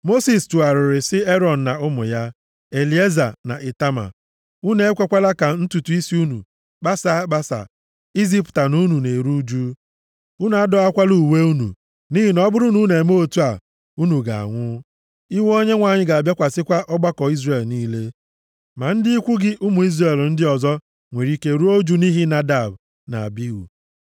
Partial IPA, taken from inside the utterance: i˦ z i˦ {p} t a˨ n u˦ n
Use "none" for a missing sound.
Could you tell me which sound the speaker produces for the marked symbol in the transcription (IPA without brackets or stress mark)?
p